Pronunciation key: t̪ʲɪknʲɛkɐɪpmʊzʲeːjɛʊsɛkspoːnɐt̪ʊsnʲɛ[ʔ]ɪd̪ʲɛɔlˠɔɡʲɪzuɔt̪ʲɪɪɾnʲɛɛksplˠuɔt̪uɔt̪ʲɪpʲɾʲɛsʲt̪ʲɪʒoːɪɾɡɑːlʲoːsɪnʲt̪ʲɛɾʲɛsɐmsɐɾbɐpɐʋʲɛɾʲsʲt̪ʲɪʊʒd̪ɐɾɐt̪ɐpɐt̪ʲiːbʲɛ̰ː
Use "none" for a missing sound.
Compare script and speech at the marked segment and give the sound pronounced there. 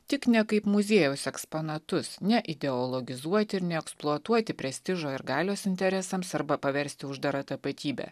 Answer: ʔ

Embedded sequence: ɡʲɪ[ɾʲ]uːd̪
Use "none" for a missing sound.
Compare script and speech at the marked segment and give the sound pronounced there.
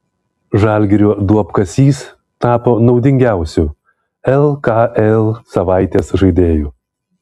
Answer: ɾʲ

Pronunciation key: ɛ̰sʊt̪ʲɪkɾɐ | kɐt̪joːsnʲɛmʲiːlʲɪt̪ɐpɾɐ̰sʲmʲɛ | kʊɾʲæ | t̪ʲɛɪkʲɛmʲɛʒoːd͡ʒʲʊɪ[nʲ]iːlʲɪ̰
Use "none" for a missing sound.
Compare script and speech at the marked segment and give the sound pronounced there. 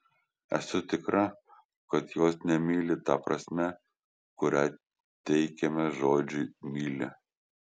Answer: mʲ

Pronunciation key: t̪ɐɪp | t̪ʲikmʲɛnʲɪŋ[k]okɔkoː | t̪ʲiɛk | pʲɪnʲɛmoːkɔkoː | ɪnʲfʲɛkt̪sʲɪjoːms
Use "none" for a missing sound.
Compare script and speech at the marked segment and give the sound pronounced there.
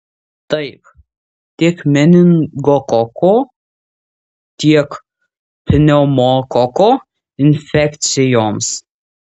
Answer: ɡ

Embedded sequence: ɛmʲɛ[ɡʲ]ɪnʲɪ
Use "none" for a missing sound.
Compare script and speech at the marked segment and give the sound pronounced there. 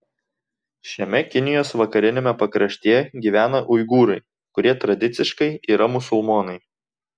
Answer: kʲ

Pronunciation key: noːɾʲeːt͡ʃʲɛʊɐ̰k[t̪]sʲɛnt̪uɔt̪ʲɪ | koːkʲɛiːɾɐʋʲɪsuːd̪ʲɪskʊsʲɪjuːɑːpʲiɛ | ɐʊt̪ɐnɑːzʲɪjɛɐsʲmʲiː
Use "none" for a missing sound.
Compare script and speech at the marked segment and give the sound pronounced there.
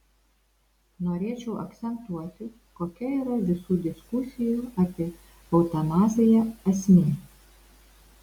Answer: t̪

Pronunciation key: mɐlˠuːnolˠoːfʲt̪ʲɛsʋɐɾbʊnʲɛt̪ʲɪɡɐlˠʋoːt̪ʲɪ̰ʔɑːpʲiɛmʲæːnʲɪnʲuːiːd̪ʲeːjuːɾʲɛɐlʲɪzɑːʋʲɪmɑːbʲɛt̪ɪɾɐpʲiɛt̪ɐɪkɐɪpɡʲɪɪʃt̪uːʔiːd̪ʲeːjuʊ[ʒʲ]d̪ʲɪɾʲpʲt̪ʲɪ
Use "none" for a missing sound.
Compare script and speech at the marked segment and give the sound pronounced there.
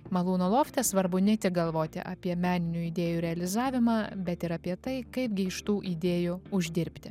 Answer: ʒʲ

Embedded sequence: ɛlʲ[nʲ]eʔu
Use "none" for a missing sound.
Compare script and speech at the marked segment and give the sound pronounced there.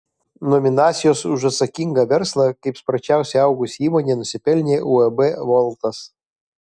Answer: nʲ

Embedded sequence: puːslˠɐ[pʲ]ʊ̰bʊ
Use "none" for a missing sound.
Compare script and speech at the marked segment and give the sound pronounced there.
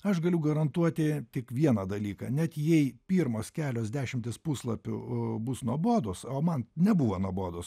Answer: pʲ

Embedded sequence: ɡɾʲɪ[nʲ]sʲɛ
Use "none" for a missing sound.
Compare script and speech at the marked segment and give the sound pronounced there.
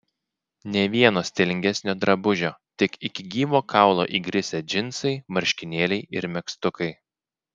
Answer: none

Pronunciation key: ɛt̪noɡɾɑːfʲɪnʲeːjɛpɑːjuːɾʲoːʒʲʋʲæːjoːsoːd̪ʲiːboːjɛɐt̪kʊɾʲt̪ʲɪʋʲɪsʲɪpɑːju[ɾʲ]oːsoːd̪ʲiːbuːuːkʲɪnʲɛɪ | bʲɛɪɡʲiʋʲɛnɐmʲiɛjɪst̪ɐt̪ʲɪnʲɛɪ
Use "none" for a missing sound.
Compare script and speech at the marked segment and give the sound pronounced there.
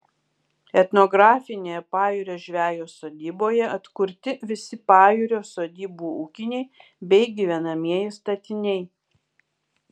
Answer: ɾʲ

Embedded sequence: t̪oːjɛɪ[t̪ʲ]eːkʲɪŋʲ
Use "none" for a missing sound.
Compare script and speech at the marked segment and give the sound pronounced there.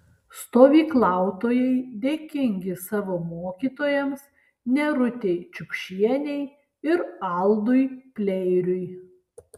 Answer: d̪ʲ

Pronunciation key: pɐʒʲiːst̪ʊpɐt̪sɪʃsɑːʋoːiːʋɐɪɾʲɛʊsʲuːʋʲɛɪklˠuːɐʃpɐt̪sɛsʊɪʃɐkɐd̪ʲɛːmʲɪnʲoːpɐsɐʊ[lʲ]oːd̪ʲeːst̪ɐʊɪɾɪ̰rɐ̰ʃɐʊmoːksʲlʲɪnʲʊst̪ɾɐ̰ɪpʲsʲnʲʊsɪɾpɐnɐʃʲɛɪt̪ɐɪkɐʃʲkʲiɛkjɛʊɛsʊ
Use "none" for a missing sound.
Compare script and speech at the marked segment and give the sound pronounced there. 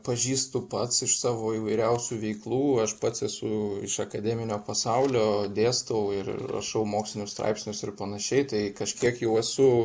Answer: lʲ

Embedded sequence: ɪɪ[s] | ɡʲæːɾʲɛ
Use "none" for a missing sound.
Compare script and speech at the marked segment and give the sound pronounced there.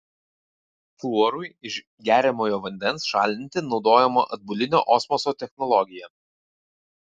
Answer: ʃ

